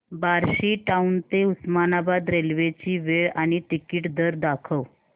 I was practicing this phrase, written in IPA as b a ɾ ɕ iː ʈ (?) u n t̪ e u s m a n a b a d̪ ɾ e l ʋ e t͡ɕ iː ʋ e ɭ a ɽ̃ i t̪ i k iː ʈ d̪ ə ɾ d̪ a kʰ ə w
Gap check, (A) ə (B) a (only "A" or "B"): B